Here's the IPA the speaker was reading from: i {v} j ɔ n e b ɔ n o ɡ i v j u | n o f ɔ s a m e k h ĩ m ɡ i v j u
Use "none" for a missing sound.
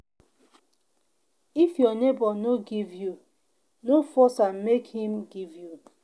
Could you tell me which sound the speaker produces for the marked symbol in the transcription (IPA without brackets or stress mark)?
f